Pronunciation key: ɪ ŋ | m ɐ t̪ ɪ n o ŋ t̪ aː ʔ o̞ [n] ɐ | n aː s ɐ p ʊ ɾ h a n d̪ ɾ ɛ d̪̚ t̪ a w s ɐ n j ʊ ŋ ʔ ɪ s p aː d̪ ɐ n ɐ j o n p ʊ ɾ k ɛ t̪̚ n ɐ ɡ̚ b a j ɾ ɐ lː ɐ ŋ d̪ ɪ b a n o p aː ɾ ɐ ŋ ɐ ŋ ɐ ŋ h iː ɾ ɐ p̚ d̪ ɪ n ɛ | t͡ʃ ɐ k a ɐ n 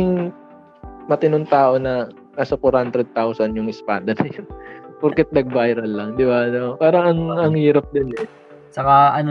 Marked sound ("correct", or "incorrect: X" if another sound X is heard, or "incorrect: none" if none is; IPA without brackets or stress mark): correct